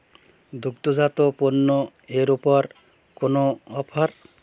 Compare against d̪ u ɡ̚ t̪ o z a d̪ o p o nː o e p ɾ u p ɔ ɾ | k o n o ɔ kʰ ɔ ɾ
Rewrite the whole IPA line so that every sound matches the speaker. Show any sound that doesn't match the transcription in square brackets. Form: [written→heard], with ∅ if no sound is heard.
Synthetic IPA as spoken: d̪ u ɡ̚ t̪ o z a [d̪→t̪] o p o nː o e [p→∅] ɾ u p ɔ ɾ | k o n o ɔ [kʰ→pʰ] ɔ ɾ